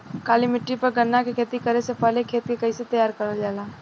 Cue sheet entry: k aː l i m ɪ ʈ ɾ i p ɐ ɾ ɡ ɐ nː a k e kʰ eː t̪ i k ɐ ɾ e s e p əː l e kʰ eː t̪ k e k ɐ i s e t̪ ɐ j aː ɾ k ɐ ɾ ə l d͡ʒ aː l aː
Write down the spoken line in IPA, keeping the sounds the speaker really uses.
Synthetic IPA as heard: k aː l i m ɪ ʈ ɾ i p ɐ ɾ ɡ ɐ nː a k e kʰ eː t̪ i k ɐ ɾ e s e p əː l e kʰ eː t̪ k e k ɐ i s e t̪ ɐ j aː ɾ k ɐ ɾ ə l d͡ʒ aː l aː